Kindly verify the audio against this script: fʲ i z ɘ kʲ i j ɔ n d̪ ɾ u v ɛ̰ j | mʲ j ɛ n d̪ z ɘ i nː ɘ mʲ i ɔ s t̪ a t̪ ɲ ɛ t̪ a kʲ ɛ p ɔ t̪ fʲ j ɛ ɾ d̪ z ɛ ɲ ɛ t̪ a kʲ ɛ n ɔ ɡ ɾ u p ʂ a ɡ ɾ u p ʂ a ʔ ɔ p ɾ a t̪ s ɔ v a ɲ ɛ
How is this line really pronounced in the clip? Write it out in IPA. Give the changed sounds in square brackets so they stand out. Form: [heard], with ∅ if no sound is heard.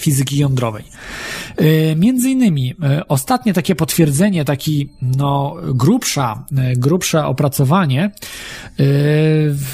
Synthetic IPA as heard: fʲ i z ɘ kʲ i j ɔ n d̪ ɾ [ɔ] v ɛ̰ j | mʲ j ɛ n d̪ z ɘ i nː ɘ mʲ i ɔ s t̪ a t̪ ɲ ɛ t̪ a kʲ ɛ p ɔ t̪ fʲ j ɛ ɾ d̪ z ɛ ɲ ɛ t̪ a kʲ [i] n ɔ ɡ ɾ u p ʂ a ɡ ɾ u p ʂ [ɛ] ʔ ɔ p ɾ a t̪ s ɔ v a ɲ ɛ